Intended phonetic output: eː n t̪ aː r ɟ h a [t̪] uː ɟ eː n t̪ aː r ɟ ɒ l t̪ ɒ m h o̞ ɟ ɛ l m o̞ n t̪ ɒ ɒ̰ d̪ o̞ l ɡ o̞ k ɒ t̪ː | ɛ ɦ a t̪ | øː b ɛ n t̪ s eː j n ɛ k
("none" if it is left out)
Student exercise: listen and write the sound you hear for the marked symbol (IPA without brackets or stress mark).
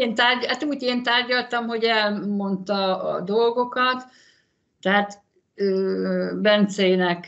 t̪